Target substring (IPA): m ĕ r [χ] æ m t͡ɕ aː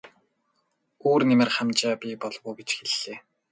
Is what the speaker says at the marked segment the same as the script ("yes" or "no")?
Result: yes